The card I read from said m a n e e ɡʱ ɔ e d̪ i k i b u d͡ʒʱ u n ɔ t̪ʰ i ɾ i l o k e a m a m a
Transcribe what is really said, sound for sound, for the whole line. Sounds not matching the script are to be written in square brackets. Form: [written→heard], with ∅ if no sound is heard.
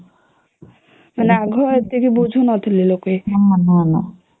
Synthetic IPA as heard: m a n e [e→a] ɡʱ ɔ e [d̪→t̪] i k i b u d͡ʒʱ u n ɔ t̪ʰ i [ɾ→l] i l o k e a [m→n] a [m→n] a